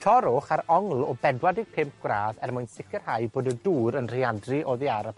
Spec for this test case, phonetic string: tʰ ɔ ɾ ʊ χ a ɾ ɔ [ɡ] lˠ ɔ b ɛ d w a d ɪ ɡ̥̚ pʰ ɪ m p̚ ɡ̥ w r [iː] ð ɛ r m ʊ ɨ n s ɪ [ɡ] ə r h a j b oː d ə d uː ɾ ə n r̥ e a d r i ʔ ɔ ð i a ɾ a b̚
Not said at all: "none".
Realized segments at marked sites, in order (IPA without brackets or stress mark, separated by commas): ŋ, aː, k